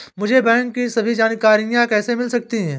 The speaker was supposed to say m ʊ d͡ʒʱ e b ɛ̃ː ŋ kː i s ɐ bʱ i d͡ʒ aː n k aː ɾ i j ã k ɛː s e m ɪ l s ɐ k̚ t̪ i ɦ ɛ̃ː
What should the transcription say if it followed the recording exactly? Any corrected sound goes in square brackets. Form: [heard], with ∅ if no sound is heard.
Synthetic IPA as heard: m ʊ d͡ʒʱ e b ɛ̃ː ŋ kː i s ɐ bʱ i d͡ʒ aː n k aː ɾ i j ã k ɛː s e m ɪ l s ɐ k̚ t̪ i ɦ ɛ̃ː